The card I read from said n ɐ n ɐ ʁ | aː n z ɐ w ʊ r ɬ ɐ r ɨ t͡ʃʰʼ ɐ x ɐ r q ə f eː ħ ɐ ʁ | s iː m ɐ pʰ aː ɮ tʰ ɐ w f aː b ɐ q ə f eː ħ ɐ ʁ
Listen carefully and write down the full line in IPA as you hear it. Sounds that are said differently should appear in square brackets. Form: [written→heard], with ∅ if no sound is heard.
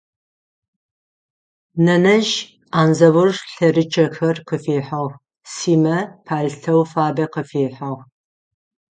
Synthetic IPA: n ɐ n ɐ [ʁ→ʒ] | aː n z ɐ w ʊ r ɬ ɐ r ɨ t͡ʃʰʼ ɐ x ɐ r q ə f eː ħ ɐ ʁ | s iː m ɐ pʰ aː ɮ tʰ ɐ w f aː b ɐ q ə f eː ħ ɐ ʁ